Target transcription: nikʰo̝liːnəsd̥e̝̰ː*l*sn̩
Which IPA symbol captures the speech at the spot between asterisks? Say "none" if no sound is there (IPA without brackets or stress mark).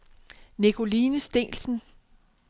l